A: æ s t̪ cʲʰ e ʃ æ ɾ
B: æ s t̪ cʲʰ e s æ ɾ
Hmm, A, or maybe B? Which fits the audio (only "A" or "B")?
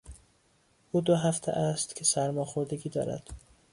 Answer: B